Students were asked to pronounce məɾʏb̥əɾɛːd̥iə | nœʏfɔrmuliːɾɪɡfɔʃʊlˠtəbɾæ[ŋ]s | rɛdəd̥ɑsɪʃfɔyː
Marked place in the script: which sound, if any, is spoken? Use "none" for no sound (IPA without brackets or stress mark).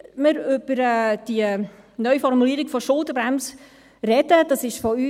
m